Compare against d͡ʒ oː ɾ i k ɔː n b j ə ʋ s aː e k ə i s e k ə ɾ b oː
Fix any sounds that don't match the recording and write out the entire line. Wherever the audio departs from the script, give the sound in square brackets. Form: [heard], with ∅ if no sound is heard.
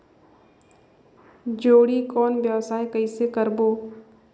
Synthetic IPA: d͡ʒ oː [ɽ] i k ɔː n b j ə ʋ s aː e k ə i s e k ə ɾ b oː